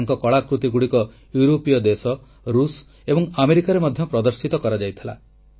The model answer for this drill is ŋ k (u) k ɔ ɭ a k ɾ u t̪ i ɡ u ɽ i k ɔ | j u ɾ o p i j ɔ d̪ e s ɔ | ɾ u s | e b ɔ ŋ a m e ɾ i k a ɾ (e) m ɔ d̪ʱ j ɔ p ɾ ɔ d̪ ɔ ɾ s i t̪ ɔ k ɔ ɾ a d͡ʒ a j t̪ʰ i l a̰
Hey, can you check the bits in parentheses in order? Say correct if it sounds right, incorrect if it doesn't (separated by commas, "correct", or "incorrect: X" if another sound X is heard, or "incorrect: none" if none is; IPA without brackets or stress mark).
incorrect: ɔ, correct